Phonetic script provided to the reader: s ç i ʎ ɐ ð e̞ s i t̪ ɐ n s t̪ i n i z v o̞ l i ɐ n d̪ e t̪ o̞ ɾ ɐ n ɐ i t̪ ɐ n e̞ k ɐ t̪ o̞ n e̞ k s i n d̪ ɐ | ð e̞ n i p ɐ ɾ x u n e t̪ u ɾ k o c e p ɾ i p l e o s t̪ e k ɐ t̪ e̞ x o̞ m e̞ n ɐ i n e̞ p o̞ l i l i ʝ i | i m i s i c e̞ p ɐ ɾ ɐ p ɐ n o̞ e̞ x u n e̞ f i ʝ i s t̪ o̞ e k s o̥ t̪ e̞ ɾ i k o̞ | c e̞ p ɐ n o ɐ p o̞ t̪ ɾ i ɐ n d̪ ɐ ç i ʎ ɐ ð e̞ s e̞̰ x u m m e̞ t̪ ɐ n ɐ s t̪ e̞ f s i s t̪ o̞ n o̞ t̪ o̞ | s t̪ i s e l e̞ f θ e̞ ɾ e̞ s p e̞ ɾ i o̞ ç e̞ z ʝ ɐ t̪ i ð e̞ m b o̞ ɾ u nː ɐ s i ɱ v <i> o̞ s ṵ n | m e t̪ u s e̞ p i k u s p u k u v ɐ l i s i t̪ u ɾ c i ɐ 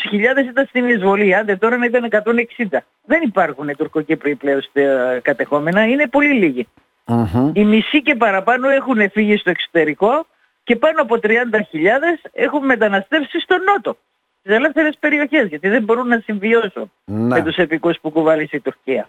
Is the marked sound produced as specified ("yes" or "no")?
yes